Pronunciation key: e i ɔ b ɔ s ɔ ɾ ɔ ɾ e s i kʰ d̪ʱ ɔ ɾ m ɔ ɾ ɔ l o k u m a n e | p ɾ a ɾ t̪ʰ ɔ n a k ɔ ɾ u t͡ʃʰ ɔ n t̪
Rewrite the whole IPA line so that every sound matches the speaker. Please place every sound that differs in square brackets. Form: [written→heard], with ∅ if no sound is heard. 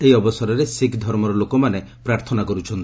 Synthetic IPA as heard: e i ɔ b ɔ s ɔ ɾ ɔ ɾ e s i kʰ d̪ʱ ɔ ɾ m ɔ ɾ ɔ l o k [u→ɔ] m a n e | p ɾ a ɾ t̪ʰ ɔ n a k ɔ ɾ u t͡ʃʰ ɔ n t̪